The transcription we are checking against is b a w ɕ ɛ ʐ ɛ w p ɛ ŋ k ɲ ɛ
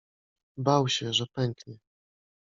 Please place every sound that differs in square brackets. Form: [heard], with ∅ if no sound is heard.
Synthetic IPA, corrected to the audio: b a w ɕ ɛ ʐ ɛ [∅] p ɛ ŋ k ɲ ɛ